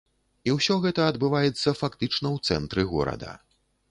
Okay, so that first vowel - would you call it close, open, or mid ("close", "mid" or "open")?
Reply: close